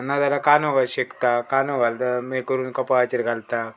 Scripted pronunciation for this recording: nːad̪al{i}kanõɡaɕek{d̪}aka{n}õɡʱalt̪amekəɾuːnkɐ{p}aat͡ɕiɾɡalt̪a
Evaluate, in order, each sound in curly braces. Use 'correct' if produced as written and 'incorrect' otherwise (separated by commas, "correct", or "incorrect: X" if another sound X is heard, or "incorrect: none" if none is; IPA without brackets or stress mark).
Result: incorrect: a, incorrect: t̪, correct, correct